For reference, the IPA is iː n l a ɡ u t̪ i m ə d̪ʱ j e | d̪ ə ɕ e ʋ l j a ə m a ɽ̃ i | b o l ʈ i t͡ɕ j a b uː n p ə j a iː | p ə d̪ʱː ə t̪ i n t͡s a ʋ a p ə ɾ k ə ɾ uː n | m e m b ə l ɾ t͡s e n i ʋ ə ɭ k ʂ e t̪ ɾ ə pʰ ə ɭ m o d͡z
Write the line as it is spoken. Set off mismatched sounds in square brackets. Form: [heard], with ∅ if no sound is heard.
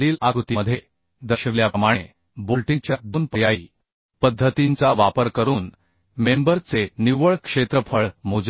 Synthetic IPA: iː [∅] l a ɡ u t̪ i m ə d̪ʱ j e | d̪ ə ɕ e ʋ l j a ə m a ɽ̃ [e] | b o l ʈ i t͡ɕ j a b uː n p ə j a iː | p ə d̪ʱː ə t̪ i n t͡s a ʋ a p ə ɾ k ə ɾ uː n | m e m b ə [∅] ɾ t͡s e n i ʋ ə ɭ k ʂ e t̪ ɾ ə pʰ ə ɭ m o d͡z